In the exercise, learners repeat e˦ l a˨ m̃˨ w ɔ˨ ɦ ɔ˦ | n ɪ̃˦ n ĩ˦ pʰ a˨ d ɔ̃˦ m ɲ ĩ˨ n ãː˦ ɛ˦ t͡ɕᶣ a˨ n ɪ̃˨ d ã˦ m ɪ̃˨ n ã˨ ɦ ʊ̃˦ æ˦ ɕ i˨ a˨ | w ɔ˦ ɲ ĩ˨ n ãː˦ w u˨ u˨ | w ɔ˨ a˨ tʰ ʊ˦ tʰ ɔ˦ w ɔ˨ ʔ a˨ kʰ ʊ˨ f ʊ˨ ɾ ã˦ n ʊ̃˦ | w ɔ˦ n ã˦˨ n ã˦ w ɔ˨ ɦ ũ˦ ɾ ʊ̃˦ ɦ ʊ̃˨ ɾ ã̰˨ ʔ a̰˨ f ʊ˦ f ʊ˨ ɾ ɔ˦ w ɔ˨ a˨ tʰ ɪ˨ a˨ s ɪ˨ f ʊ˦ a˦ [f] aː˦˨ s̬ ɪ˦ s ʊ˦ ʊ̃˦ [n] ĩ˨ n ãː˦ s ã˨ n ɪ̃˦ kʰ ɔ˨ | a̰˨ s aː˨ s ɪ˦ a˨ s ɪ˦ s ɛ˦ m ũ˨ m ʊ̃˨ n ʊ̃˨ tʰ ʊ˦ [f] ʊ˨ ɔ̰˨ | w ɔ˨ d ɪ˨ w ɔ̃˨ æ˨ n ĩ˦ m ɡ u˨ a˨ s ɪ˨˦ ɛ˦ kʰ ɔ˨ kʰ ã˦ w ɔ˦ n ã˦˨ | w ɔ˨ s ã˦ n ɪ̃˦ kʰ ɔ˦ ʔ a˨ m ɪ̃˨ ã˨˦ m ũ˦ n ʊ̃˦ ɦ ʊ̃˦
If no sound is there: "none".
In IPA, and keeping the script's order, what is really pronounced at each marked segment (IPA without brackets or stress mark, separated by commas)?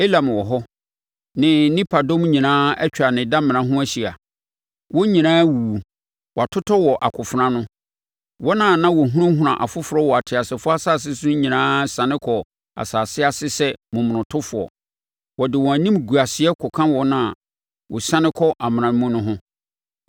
s, ɲ, f